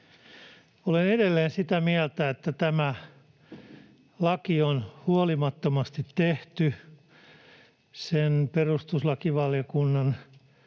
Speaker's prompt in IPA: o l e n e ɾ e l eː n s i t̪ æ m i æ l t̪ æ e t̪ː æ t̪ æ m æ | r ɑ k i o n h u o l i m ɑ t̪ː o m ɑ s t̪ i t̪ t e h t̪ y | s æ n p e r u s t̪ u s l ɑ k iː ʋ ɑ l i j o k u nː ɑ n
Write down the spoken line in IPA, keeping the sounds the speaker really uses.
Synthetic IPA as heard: o l e n e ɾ e lː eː n s i t̪ æ m i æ l t̪ æ e t̪ː æ t̪ æ m æ | l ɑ k i o n h u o l i m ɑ t̪ː o m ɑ s t̪ i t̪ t e h t̪ y | s e n p e r u s t̪ u s l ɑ k i ʋ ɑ l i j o k u nː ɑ n